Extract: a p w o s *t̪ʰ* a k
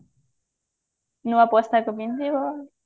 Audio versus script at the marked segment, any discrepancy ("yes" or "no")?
yes